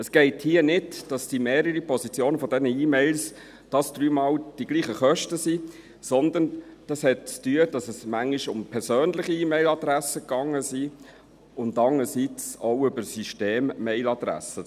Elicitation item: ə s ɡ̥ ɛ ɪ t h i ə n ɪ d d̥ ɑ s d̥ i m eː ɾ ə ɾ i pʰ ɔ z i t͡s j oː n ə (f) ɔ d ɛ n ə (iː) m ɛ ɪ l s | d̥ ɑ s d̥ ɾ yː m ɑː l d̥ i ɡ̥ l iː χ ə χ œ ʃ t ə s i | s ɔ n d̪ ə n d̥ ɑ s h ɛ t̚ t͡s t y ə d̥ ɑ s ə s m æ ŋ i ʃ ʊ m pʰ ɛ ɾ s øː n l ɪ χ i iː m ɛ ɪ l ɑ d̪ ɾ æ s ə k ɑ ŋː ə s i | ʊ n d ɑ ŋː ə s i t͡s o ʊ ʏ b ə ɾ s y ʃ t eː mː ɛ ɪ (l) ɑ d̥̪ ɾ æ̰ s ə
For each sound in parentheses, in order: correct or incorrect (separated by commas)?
correct, correct, correct